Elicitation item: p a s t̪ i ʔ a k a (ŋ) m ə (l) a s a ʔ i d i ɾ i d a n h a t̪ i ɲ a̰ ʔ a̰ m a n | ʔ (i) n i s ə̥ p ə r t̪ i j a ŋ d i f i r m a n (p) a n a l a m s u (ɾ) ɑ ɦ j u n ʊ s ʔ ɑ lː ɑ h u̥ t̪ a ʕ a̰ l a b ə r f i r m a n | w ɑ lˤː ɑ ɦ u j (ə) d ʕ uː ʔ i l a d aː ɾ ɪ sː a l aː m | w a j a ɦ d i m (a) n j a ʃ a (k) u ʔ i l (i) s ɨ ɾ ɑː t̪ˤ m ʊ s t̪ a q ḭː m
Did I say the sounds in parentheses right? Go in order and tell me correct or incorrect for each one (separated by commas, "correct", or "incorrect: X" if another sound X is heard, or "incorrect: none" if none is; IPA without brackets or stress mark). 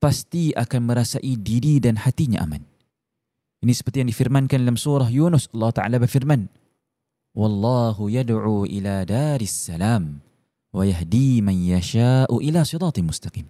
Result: incorrect: n, incorrect: ɾ, correct, incorrect: k, correct, incorrect: a, correct, incorrect: ʔ, incorrect: a